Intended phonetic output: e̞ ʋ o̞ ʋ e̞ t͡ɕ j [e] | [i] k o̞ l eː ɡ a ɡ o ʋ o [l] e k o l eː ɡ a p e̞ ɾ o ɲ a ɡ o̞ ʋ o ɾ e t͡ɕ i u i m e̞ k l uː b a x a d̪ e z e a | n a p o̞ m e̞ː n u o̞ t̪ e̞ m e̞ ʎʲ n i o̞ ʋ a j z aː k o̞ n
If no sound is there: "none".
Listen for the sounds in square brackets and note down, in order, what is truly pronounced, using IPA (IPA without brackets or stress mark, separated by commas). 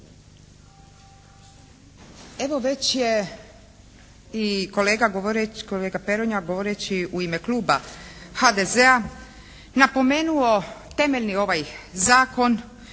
e, i, ɾ